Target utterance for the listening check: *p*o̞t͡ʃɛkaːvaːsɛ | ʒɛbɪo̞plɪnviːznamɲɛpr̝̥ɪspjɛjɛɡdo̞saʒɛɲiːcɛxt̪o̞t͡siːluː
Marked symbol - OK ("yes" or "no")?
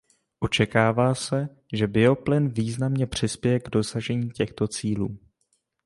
no